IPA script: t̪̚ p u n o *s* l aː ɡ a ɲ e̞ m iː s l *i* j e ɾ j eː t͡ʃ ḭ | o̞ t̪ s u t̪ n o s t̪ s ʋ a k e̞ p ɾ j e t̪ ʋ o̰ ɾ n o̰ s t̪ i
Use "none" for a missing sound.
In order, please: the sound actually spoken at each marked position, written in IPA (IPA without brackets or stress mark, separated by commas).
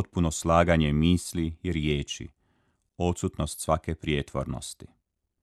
s, i